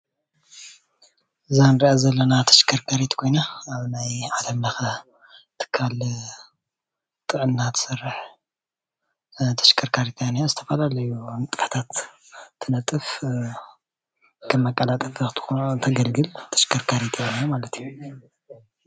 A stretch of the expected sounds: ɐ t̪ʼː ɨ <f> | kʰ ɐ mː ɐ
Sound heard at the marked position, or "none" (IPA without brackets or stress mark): f